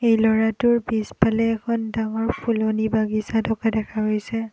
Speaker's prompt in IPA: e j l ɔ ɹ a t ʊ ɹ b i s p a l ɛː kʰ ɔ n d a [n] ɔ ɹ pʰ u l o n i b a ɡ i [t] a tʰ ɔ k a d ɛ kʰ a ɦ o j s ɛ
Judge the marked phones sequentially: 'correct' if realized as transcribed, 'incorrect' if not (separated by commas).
incorrect, incorrect